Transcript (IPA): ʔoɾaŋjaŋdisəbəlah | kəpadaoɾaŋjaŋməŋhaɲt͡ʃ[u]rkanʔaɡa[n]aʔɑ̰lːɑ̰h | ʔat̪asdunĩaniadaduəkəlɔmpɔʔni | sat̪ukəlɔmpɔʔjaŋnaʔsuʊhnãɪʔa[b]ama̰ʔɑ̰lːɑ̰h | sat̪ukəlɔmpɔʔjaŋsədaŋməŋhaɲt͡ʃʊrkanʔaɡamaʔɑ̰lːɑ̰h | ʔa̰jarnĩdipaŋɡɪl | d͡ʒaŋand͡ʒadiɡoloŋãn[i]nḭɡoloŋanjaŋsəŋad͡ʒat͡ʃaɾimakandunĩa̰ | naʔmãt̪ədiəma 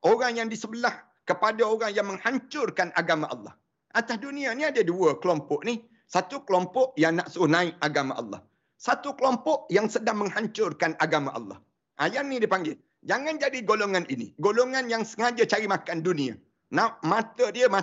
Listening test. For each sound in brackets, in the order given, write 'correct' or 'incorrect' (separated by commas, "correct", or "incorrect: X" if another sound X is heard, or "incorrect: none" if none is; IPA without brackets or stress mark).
incorrect: ʊ, incorrect: m, incorrect: ɡ, correct